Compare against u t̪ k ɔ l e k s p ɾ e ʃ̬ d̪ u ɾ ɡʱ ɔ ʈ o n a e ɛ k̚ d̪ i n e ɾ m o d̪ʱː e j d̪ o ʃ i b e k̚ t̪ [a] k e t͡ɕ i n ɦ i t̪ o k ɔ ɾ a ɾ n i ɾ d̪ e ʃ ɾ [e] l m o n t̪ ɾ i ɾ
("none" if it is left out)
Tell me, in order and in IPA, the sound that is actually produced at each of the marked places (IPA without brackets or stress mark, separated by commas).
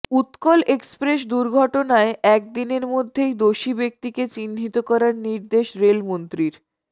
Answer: i, e